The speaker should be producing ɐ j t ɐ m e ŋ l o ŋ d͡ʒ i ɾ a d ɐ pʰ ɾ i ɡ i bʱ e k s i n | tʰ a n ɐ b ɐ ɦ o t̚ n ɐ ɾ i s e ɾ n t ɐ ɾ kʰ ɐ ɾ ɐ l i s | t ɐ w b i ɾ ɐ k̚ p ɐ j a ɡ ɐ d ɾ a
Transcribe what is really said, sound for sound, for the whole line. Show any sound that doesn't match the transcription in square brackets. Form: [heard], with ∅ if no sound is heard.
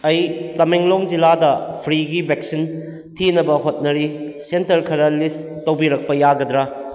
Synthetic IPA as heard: ɐ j t ɐ m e ŋ l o ŋ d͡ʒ i [l] a d ɐ pʰ ɾ i ɡ i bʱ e k s i n | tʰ [i] n ɐ b ɐ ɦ o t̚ n ɐ ɾ i s e [∅] n t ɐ ɾ kʰ ɐ ɾ ɐ l i s | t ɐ w b i ɾ ɐ k̚ p ɐ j a ɡ ɐ d ɾ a